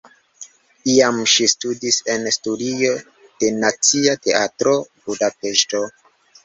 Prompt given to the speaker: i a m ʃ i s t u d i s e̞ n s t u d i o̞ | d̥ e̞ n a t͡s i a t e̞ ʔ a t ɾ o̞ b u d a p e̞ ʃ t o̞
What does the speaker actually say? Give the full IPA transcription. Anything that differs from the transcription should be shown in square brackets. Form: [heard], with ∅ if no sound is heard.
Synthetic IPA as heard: i a m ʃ i s t u d i s e̞ n s t u d i o̞ | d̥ e̞ n a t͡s i a t e̞ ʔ a t ɾ o̞ b u d a p e̞ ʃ t o̞